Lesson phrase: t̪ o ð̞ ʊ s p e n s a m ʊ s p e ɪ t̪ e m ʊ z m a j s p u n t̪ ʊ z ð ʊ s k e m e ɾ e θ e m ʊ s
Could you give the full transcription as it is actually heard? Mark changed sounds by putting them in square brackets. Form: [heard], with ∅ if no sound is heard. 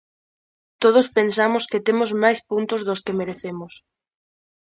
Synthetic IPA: t̪ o ð̞ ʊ s p e n s a m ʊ s [k] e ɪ t̪ e m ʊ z m a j s p u n t̪ ʊ z ð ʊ s k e m e ɾ e θ e m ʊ s